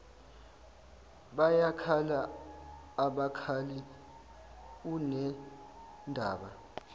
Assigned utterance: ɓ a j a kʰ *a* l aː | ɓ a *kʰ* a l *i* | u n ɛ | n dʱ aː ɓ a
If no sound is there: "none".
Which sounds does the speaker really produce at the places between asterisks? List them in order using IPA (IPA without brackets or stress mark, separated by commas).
a, kʰ, i